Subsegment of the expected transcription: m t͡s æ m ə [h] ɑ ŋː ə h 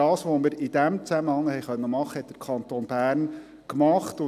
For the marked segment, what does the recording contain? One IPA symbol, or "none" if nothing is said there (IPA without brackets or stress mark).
h